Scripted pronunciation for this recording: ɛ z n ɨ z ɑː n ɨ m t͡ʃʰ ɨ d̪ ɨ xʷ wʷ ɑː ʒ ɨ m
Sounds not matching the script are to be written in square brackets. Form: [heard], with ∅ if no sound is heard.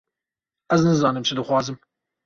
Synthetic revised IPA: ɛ z n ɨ z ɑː n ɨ m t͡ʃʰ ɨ d̪ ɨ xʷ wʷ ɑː [z] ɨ m